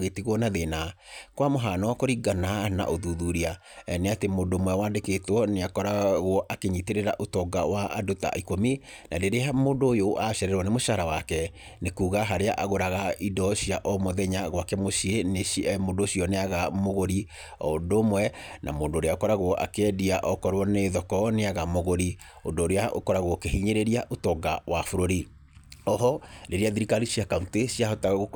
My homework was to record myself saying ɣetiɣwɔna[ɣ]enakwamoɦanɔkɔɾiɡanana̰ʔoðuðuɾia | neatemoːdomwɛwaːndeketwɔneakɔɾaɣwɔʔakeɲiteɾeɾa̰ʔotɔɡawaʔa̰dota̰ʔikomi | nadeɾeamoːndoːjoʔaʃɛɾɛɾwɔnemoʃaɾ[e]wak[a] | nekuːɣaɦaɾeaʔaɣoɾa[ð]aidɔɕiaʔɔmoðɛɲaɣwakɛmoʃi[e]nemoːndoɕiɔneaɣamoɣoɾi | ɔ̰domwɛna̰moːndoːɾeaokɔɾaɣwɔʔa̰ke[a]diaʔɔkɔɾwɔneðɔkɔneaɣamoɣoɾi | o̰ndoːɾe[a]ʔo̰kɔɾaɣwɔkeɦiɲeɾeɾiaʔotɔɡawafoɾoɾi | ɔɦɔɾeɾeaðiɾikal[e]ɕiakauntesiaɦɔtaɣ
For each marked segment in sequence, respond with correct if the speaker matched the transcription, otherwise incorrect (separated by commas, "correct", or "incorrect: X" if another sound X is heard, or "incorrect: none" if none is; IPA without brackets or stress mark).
incorrect: ð, incorrect: a, incorrect: ɛ, incorrect: ɣ, correct, incorrect: ɛ, correct, incorrect: i